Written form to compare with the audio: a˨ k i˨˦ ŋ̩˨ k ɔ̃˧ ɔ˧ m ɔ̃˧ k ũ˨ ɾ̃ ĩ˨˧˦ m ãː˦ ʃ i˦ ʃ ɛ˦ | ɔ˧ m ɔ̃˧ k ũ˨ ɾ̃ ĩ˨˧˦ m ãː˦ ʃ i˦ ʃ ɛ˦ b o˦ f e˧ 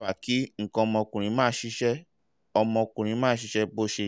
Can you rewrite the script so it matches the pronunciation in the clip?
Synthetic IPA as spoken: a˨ k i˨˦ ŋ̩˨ k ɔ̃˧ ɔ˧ m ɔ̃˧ k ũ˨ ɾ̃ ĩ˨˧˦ m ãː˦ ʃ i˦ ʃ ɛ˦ | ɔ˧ m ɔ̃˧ k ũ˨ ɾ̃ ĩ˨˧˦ m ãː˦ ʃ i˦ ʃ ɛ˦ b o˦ ʃ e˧